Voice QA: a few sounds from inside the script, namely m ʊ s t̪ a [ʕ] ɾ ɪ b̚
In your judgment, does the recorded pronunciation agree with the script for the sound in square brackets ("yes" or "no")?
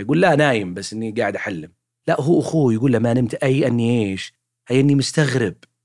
no